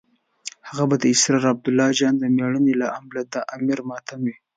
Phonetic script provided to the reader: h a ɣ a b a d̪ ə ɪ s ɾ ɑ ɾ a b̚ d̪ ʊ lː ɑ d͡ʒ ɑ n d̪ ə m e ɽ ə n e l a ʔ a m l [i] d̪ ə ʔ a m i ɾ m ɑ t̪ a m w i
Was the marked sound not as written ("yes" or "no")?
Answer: yes